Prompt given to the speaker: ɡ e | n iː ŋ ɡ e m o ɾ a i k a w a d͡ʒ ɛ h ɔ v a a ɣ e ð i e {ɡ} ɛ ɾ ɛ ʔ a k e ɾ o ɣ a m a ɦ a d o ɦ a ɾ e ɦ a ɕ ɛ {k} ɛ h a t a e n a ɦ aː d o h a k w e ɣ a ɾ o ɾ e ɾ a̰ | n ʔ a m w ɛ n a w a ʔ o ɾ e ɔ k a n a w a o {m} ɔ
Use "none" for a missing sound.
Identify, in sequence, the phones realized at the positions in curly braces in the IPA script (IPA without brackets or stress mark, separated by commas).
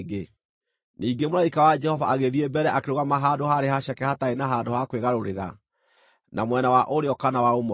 b, k, m